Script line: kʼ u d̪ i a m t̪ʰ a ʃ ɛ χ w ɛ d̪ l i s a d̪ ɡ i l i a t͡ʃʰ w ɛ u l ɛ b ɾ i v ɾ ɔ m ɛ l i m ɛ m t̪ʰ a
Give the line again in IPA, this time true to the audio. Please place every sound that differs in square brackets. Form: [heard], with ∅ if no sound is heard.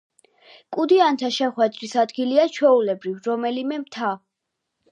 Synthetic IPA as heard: kʼ u d̪ i a [n] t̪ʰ a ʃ ɛ χ w ɛ d̪ [ɾ] i s a d̪ ɡ i l i a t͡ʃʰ w ɛ u l ɛ b ɾ i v ɾ ɔ m ɛ l i m ɛ m t̪ʰ a

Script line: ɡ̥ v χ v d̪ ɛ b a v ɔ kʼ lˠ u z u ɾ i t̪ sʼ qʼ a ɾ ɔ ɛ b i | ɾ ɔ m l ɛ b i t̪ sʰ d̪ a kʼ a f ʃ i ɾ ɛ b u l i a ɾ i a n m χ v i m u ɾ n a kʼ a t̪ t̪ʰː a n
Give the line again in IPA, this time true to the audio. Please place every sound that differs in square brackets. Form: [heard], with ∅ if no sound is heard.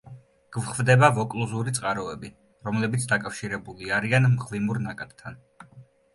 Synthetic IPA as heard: ɡ̥ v χ v d̪ ɛ b a v ɔ kʼ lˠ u z u ɾ i t̪ sʼ qʼ a ɾ ɔ ɛ b i | ɾ ɔ m l ɛ b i t̪ sʰ d̪ a kʼ a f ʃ i ɾ ɛ b u l i a ɾ i a n m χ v i m u ɾ n a kʼ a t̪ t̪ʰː a n

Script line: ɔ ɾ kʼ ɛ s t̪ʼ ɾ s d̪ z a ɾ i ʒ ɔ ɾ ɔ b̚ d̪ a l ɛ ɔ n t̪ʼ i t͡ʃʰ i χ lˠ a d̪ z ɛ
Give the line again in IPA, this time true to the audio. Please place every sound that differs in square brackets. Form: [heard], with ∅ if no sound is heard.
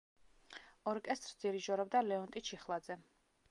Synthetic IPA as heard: ɔ ɾ kʼ ɛ s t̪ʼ ɾ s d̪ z [i] ɾ i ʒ ɔ ɾ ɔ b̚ d̪ a l ɛ ɔ n t̪ʼ i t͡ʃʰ i χ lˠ a d̪ z ɛ

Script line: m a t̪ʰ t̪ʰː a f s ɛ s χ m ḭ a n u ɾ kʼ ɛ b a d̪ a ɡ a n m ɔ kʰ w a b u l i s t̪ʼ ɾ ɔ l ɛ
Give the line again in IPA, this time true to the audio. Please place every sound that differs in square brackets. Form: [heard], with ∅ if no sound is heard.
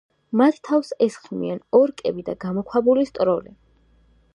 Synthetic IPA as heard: m a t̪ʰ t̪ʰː a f s ɛ s χ m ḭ a n [ɔ] ɾ kʼ ɛ b [i] d̪ a ɡ a [∅] m ɔ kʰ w a b u l i s t̪ʼ ɾ ɔ l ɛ

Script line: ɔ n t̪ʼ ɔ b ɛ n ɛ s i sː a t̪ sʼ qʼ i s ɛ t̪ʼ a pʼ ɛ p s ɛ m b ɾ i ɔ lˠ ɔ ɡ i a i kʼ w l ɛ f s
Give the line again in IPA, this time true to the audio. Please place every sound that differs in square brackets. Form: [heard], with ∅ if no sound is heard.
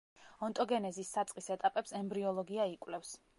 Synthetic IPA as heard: ɔ n t̪ʼ ɔ [ɡ] ɛ n ɛ [z] i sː a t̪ sʼ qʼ i s ɛ t̪ʼ a pʼ ɛ p s ɛ m b ɾ i ɔ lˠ ɔ ɡ i a i kʼ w l ɛ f s

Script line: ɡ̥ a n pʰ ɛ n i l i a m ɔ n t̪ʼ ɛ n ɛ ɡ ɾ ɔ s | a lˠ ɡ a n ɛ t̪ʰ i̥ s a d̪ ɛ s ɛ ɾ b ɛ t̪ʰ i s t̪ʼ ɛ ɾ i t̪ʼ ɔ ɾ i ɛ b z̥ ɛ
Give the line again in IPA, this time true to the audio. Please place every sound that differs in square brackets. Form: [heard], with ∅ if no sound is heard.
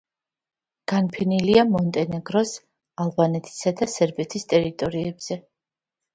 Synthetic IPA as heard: ɡ̥ a n pʰ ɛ n i l i a m ɔ n t̪ʼ ɛ n ɛ ɡ ɾ ɔ s | a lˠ [b] a n ɛ t̪ʰ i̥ s a d̪ [a] s ɛ ɾ b ɛ t̪ʰ i s t̪ʼ ɛ ɾ i t̪ʼ ɔ ɾ i ɛ b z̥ ɛ

